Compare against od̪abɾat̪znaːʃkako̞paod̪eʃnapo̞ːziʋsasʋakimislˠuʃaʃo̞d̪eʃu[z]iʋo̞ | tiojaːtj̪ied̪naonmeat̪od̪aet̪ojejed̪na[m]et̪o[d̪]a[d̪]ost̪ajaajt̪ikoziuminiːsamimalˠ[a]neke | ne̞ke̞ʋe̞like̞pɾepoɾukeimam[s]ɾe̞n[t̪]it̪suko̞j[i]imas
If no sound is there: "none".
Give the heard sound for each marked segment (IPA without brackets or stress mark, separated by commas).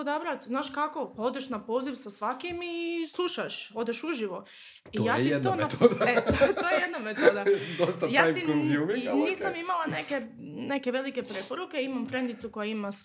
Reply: ʒ, m, d̪, d̪, a, f, d̪, a